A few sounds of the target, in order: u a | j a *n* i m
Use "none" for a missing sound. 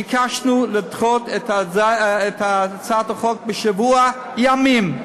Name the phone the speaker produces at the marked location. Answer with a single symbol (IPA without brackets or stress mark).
m